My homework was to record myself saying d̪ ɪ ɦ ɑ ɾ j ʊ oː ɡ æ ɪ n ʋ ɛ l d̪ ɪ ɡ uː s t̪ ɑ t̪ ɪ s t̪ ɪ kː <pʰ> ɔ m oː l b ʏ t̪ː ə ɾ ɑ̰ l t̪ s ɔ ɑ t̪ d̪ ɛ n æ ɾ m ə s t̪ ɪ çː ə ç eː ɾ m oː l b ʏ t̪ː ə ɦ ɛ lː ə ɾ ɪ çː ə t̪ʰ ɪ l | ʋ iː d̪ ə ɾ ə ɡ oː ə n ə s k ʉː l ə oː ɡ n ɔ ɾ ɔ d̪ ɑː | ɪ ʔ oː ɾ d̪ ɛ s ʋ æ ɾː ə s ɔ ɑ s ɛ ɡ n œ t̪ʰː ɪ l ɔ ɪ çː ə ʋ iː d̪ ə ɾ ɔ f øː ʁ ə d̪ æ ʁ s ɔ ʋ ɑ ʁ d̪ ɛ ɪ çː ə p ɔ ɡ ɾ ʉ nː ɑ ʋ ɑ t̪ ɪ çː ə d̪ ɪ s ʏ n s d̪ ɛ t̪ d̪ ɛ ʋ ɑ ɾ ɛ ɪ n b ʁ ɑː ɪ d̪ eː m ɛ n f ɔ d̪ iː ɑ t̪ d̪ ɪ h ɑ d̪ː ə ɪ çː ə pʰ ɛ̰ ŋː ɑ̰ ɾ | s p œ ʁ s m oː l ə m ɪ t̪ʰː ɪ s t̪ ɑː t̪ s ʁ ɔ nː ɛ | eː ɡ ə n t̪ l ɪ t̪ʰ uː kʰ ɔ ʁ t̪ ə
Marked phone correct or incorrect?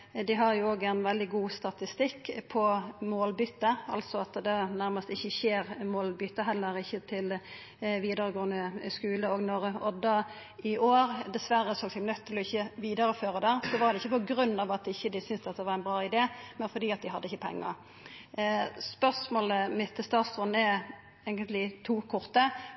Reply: correct